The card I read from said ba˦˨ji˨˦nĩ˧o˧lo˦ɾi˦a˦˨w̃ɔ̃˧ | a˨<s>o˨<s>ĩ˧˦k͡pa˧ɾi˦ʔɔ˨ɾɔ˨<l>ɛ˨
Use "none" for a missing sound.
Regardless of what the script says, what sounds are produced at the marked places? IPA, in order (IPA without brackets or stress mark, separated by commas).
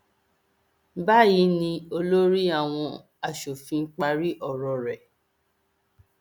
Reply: ʃ, f, ɾ